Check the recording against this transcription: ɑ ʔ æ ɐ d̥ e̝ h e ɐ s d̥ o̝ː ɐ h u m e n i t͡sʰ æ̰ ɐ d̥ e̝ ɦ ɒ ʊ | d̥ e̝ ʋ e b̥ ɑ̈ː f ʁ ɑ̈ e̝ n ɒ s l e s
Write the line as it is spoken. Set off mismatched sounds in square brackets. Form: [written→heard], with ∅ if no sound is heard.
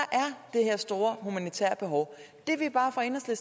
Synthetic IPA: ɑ ʔ æ ɐ d̥ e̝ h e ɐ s d̥ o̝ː ɐ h u m [e→æ] n i t͡sʰ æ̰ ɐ [d̥→b̥] e̝ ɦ ɒ ʊ | d̥ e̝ ʋ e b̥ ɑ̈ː f ʁ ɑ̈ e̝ n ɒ s l e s